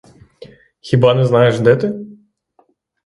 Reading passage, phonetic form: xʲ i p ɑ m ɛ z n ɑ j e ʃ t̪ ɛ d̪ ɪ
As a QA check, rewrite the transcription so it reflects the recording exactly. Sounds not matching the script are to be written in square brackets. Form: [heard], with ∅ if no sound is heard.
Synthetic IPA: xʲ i [b] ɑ [n] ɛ z n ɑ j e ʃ [d̪] ɛ [t̪] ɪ